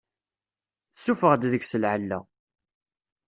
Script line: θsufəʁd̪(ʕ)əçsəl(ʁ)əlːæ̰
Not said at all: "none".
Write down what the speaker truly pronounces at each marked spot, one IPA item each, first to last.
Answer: ð, ʕ

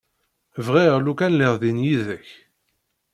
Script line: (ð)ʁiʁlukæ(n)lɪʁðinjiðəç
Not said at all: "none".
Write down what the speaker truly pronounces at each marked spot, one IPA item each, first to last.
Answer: v, n

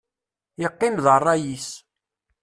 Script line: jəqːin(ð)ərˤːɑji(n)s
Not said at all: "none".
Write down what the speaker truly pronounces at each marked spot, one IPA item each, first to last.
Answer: ð, none

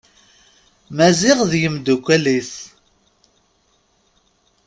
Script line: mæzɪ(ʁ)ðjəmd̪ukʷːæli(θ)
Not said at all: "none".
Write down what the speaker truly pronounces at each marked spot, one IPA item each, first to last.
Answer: ʁ, θ

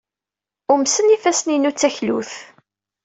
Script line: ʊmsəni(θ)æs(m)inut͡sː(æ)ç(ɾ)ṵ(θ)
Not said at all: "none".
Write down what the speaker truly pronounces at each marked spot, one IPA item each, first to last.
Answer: f, n, æ, l, θ

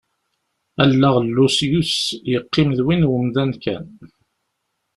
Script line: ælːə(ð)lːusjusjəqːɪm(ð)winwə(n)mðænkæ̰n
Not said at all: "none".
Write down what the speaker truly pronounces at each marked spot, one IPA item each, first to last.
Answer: ʁ, ð, none

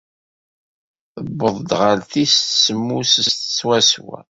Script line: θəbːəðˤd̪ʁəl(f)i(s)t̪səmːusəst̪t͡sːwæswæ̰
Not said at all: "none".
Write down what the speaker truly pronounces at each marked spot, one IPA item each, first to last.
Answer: θ, s

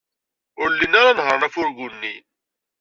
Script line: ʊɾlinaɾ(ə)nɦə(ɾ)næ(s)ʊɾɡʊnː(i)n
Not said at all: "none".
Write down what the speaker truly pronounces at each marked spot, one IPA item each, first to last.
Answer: a, ɾ, f, i

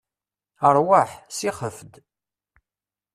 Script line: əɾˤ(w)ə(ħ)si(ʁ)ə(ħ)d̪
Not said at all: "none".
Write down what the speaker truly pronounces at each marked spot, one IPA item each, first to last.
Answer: w, ħ, χ, f

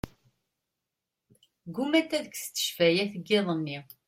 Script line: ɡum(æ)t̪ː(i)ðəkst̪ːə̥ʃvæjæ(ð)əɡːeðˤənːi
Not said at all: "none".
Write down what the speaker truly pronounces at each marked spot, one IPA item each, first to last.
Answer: æ, æ, θ

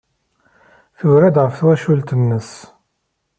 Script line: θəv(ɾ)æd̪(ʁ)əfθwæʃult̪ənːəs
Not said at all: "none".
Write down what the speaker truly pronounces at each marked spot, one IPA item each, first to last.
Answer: ɾ, ʁ

